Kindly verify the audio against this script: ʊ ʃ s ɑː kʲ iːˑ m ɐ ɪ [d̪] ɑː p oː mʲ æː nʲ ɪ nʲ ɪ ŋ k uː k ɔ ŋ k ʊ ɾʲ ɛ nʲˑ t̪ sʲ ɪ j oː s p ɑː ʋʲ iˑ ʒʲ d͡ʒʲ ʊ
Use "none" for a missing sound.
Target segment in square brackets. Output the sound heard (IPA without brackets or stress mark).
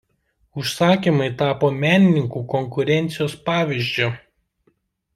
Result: t̪